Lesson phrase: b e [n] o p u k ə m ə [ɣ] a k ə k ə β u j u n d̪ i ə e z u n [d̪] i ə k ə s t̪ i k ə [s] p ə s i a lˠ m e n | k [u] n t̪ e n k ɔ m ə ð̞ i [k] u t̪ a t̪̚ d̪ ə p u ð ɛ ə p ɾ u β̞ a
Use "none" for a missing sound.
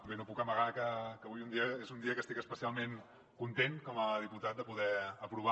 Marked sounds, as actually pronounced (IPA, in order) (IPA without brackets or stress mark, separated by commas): n, ɣ, d̪, s, u, p